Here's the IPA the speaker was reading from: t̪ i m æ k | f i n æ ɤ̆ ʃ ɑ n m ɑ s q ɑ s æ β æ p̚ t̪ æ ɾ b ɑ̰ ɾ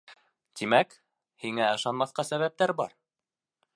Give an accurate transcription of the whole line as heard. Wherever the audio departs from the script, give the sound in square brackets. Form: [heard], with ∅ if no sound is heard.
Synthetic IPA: t̪ i m æ k | [h] i [ŋ] æ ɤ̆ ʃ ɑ n m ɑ [θ] q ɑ s æ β æ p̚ t̪ æ ɾ b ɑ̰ ɾ